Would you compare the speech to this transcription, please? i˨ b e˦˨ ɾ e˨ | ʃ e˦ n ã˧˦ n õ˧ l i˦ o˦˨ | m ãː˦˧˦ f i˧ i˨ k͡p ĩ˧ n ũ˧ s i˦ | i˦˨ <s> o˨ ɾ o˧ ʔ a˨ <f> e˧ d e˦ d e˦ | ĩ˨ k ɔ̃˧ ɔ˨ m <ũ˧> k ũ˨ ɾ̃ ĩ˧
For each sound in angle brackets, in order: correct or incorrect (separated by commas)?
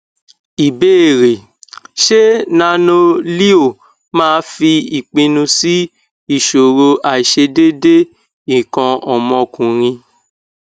incorrect, incorrect, incorrect